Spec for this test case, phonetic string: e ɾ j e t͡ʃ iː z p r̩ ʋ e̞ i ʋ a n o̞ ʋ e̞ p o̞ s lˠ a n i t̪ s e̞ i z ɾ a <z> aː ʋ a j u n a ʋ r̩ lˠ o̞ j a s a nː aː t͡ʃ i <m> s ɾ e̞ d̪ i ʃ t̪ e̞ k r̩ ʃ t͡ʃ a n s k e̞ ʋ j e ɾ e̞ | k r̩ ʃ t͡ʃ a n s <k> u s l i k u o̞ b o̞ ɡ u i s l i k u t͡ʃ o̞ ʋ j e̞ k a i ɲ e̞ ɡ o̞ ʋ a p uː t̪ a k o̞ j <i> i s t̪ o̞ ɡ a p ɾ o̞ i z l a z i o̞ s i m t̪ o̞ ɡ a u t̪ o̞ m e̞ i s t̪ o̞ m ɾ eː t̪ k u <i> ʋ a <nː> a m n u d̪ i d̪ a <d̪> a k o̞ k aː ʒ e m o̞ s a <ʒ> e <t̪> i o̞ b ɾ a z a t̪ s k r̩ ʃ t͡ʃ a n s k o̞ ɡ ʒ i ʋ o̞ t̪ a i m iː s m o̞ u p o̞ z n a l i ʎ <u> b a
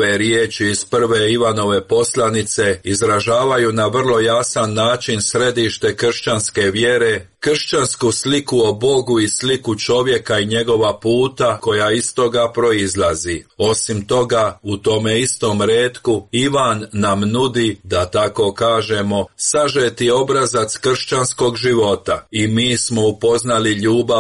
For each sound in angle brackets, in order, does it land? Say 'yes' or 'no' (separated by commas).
no, no, yes, no, yes, yes, no, yes, yes, no